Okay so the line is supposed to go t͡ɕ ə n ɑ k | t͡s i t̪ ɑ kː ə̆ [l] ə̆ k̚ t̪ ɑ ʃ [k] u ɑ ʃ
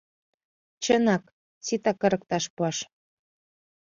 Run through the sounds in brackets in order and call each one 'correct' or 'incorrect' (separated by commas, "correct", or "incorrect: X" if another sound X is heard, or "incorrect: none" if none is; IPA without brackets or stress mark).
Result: incorrect: ɾ, incorrect: p